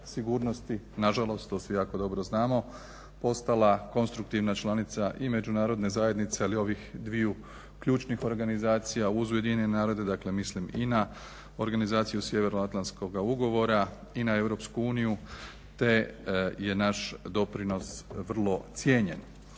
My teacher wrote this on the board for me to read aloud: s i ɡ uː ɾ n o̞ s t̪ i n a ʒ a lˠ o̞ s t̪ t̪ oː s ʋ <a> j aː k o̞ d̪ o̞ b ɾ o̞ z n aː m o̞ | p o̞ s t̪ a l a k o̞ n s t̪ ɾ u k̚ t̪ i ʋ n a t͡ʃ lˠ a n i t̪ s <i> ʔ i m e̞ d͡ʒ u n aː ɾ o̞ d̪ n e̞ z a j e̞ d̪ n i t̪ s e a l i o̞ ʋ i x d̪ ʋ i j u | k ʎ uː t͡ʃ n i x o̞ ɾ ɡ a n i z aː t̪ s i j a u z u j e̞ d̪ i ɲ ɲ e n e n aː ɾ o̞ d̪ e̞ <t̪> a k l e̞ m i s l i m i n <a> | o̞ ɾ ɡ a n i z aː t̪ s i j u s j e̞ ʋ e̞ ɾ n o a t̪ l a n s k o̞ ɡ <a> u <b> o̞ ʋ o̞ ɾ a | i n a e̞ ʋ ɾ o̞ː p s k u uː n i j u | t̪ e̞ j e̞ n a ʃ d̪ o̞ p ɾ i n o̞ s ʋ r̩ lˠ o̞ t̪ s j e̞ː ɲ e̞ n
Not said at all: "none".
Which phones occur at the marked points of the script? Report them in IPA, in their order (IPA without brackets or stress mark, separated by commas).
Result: i, a, d̪, a, a, ɡ